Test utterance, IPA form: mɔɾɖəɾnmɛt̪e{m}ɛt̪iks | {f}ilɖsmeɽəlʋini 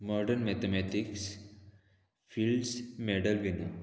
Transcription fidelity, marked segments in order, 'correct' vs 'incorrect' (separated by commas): correct, correct